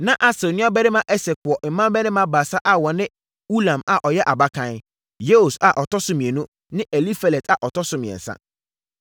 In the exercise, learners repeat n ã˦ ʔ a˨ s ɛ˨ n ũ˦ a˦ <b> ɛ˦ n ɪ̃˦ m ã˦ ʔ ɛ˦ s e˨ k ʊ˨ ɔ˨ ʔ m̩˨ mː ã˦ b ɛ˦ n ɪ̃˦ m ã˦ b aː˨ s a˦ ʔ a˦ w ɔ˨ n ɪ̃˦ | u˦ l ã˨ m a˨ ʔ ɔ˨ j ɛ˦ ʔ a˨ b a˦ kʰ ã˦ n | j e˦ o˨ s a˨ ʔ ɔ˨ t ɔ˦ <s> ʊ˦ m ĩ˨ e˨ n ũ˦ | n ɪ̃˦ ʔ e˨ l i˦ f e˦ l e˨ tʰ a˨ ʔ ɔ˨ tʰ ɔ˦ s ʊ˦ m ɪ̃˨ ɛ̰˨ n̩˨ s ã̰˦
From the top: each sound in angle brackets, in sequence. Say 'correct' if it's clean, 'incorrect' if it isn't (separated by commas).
correct, correct